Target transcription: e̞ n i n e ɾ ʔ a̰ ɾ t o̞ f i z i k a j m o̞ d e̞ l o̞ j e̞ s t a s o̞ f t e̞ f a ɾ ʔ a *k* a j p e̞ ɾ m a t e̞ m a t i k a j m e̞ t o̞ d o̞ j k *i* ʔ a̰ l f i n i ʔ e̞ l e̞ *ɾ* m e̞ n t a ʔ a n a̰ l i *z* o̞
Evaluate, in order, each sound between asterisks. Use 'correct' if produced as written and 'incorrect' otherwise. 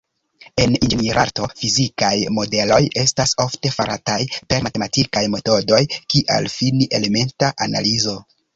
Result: incorrect: t, correct, incorrect: none, correct

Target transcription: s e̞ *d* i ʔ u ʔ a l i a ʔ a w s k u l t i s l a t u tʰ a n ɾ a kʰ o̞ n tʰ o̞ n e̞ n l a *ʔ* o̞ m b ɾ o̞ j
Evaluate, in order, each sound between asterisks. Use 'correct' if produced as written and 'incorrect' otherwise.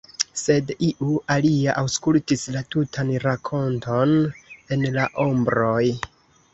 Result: correct, correct

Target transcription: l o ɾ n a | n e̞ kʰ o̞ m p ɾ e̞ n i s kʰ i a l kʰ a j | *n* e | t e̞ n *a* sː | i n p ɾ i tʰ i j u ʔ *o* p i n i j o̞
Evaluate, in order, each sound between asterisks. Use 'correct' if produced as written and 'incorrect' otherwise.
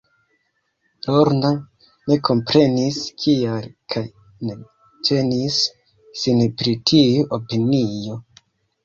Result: correct, incorrect: i, correct

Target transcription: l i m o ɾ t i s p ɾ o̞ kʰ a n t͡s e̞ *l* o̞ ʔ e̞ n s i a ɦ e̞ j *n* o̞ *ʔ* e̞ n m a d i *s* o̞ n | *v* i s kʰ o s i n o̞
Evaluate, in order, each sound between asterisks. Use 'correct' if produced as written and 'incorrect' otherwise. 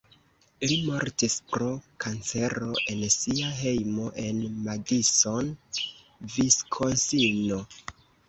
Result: incorrect: ɾ, incorrect: m, correct, correct, correct

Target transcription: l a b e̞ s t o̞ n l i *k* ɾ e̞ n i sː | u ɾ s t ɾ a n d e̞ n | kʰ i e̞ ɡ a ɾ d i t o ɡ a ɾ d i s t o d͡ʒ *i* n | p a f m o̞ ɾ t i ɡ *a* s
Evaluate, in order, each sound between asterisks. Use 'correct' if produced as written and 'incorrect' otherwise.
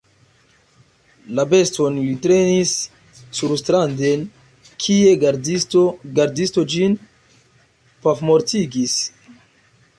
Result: incorrect: t, correct, incorrect: i

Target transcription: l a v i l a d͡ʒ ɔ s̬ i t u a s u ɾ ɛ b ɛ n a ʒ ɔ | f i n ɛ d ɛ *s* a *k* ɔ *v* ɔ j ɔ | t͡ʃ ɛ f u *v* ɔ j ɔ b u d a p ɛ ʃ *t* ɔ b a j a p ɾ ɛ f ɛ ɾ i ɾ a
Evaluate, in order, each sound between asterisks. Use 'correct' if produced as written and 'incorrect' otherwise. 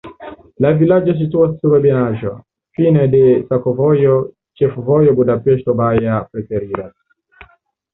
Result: correct, correct, correct, correct, correct

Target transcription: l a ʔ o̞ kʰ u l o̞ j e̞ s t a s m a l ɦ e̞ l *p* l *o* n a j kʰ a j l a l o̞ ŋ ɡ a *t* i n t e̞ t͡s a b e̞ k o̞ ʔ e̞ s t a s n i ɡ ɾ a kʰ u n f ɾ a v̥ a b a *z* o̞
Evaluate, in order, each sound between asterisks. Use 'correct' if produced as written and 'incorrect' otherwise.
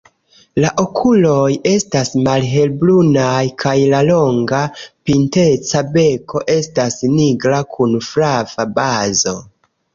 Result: incorrect: b, incorrect: u, incorrect: p, correct

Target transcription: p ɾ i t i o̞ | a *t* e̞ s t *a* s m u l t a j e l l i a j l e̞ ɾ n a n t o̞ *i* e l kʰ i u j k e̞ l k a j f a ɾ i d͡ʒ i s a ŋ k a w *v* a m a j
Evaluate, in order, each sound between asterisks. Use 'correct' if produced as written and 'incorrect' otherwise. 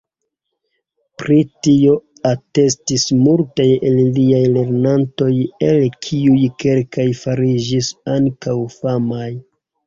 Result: correct, incorrect: i, incorrect: j, incorrect: f

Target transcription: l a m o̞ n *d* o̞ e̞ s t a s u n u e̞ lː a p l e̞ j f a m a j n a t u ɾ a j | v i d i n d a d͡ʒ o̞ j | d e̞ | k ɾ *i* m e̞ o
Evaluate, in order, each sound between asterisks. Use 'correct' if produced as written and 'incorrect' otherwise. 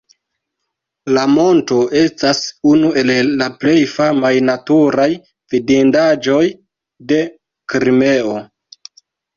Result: incorrect: t, correct

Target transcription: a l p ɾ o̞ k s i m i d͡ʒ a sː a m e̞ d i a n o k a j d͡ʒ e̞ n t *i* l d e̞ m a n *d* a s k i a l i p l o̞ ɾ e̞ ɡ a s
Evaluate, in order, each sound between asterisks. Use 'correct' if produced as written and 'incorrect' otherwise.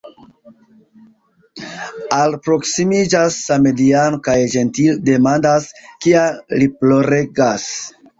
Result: correct, correct

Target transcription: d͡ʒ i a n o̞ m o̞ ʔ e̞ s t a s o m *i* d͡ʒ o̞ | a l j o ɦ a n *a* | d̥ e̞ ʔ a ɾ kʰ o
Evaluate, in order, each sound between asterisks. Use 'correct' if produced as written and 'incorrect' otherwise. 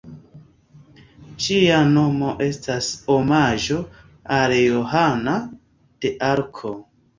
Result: incorrect: a, correct

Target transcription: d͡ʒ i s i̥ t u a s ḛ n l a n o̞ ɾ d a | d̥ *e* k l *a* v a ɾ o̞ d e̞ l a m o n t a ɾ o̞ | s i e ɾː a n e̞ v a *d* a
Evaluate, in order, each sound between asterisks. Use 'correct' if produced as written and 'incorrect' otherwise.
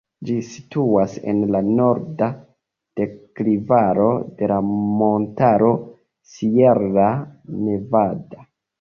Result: correct, incorrect: i, correct

